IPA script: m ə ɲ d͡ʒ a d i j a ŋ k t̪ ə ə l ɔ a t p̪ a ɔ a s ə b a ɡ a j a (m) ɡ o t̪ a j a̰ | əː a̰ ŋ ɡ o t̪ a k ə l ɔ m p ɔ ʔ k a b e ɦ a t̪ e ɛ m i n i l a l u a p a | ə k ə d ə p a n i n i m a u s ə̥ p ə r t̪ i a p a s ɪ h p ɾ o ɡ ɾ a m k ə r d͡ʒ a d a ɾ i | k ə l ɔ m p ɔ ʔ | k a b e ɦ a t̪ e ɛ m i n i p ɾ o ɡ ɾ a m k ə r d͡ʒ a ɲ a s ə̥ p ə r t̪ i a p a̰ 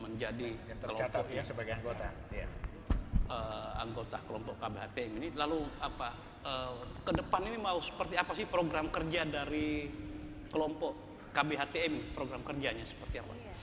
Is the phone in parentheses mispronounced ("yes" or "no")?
yes